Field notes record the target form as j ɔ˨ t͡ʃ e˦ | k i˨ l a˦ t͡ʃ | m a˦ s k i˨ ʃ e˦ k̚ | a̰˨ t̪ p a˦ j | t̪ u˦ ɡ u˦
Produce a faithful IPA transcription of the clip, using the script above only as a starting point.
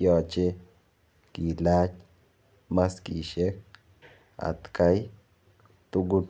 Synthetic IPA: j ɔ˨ t͡ʃ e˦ | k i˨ l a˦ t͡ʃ | m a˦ s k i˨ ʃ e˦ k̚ | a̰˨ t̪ k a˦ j | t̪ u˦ ɡ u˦

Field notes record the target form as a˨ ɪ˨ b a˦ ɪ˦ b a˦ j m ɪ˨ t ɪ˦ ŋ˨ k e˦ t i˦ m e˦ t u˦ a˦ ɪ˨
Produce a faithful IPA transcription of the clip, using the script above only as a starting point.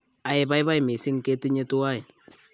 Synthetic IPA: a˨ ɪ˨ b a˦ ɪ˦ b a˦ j m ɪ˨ s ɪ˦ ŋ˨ k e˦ t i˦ ɲ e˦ t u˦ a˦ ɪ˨

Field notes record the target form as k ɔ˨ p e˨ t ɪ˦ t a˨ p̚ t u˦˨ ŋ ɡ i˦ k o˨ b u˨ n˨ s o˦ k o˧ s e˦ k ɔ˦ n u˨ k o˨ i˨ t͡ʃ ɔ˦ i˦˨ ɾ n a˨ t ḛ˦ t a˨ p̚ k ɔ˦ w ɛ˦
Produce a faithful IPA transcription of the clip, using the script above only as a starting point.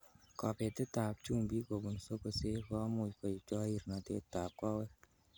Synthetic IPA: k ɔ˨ p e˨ t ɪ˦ t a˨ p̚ t͡ʃ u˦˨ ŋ b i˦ k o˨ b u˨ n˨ s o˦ k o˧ s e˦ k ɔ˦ m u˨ k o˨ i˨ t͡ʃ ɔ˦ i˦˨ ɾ n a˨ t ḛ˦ t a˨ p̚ k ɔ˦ w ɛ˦

